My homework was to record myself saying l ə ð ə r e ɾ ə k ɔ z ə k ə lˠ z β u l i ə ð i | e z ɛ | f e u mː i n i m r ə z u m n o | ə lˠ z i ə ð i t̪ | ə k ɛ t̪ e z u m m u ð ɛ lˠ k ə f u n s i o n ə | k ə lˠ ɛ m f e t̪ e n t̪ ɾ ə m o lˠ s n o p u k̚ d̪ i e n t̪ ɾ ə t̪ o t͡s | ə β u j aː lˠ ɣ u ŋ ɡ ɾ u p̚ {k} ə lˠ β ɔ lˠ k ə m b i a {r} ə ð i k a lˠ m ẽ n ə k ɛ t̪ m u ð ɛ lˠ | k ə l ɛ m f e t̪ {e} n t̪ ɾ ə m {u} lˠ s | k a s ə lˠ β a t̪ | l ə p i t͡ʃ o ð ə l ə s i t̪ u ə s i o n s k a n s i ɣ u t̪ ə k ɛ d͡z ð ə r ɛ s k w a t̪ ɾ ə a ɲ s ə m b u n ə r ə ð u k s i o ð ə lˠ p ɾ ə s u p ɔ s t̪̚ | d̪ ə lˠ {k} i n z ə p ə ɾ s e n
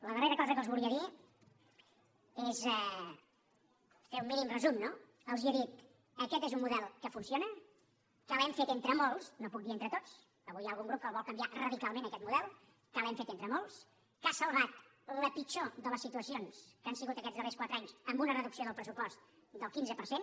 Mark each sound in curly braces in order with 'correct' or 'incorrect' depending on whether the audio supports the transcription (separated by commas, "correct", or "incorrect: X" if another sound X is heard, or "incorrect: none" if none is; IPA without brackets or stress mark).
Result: correct, correct, correct, incorrect: o, correct